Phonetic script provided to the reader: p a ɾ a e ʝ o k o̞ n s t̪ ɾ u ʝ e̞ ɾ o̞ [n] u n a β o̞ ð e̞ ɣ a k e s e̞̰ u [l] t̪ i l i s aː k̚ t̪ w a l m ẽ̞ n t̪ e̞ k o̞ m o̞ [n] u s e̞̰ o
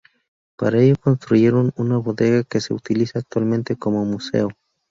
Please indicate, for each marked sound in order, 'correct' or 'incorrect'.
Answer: correct, incorrect, incorrect

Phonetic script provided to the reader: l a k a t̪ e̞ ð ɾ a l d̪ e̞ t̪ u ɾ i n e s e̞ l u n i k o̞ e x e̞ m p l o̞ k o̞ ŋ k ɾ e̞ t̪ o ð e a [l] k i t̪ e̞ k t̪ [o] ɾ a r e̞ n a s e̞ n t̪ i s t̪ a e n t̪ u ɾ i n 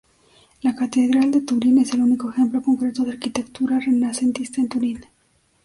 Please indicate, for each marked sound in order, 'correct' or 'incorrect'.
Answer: incorrect, incorrect

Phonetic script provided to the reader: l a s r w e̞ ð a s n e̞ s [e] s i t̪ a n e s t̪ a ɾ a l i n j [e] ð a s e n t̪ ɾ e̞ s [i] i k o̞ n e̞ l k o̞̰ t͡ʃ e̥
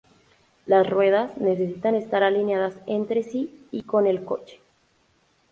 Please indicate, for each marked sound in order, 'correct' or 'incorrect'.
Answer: correct, incorrect, correct

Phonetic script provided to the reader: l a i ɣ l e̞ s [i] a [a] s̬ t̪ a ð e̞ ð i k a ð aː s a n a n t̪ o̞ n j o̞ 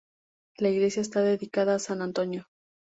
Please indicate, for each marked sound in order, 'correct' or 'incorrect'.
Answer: incorrect, incorrect

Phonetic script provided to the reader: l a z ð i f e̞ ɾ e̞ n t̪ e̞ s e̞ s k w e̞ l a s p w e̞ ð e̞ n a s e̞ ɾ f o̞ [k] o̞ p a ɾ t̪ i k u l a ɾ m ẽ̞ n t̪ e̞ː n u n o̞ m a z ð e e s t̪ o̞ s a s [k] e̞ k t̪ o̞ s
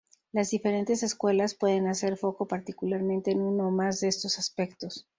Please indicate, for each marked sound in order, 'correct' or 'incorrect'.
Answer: correct, incorrect

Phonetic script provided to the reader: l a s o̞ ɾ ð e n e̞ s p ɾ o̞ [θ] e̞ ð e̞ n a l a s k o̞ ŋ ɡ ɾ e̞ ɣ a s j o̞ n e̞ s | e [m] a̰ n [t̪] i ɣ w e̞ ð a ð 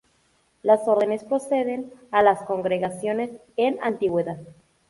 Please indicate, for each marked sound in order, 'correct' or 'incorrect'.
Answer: incorrect, incorrect, correct

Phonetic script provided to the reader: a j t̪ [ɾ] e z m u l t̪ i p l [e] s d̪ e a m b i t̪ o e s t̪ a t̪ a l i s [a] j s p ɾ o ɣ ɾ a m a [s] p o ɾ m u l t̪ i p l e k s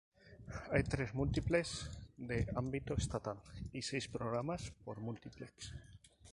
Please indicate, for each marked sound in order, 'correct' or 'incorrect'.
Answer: correct, correct, incorrect, correct

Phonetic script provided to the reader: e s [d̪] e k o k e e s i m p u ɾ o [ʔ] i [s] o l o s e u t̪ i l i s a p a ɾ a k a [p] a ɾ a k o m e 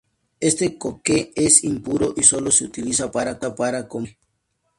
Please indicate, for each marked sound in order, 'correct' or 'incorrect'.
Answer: incorrect, correct, correct, correct

